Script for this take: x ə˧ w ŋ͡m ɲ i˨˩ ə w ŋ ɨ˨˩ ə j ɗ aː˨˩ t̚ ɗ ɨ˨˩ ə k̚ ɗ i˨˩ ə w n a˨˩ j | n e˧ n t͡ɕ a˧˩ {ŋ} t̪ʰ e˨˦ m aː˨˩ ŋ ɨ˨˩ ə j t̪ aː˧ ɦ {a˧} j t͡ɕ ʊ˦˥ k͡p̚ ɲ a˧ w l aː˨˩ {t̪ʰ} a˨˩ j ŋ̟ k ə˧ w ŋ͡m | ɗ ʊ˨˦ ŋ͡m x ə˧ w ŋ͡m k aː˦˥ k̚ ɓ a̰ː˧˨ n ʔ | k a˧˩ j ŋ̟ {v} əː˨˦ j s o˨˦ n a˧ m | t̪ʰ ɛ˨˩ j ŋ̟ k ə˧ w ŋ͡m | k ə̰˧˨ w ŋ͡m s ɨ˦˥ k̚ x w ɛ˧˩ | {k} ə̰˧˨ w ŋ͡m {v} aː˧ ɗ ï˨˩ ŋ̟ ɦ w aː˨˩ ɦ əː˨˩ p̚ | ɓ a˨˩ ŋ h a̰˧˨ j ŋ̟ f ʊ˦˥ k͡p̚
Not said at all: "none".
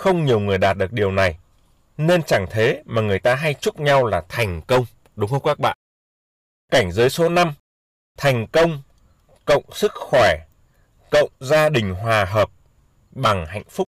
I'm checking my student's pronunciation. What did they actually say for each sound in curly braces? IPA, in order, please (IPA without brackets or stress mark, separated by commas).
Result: ŋ, a˧, t̪ʰ, z, k, z